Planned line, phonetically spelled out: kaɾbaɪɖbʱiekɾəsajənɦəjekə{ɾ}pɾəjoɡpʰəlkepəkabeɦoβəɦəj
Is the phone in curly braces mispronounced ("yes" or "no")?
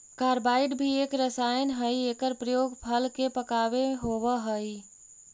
no